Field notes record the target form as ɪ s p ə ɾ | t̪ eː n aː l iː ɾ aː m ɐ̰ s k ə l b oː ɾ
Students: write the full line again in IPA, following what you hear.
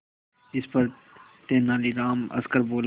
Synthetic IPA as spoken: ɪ s p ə ɾ | t̪ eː n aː l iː ɾ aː m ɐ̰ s k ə ɾ b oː l

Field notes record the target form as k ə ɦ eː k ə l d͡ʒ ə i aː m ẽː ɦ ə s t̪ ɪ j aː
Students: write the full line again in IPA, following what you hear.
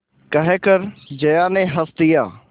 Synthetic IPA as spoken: k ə ɦ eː k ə ɾ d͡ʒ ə j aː n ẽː ɦ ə s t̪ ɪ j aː

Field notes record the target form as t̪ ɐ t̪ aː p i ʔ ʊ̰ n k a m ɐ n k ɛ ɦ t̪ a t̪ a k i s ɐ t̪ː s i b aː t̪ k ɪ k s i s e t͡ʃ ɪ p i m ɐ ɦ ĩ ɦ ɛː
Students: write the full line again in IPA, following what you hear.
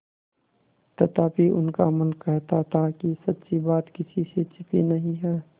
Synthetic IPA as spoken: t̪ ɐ t̪ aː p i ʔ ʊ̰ n k a m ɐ n k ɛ ɦ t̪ a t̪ a k i s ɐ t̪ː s i b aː t̪ k ɪ s i s e t͡ʃ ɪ p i n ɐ ɦ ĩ ɦ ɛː

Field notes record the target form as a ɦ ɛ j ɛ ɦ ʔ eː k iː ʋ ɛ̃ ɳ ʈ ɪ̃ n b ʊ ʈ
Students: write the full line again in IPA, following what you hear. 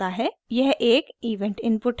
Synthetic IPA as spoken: a ɦ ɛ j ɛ ɦ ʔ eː k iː ʋ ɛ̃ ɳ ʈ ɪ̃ n p ʊ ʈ

